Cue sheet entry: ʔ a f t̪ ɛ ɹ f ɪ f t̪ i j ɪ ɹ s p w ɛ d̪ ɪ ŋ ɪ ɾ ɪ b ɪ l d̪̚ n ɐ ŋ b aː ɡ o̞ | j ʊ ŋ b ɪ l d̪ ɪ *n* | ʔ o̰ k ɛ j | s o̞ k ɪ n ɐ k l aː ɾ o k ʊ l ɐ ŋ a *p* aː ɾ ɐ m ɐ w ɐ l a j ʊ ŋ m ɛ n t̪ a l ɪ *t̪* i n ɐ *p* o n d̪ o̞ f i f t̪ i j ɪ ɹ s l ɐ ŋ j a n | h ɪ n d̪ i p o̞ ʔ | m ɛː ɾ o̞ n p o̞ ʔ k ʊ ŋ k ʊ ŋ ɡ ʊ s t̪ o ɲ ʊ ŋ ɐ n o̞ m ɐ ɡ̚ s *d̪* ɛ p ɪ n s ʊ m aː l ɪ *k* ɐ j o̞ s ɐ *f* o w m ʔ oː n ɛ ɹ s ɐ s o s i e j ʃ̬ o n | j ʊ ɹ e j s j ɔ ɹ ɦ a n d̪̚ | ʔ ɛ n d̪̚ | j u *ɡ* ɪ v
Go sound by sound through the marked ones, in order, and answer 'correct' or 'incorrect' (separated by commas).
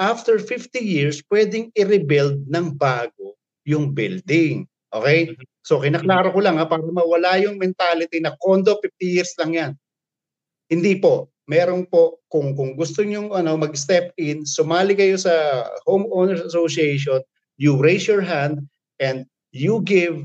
incorrect, correct, correct, incorrect, incorrect, correct, incorrect, correct